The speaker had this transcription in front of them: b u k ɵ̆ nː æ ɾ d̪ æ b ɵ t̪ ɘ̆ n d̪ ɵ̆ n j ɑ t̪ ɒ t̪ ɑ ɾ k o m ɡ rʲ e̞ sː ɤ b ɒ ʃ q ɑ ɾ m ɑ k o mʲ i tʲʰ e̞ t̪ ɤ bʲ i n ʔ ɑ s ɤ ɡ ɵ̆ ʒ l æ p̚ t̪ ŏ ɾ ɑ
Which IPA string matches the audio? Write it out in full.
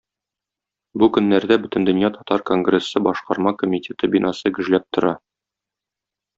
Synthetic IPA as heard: b u k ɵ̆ nː æ ɾ d̪ æ b ɵ t̪ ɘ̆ n d̪ ɵ̆ n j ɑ t̪ ɒ t̪ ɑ ɾ k o ŋ ɡ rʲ e̞ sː ɤ b ɒ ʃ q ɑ ɾ m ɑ k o mʲ i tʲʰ e̞ t̪ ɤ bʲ i n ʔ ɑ s ɤ ɡ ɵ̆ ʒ l æ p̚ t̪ ŏ ɾ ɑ